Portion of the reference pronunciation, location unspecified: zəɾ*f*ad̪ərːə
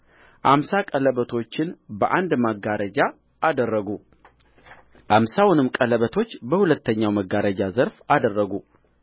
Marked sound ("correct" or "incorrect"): correct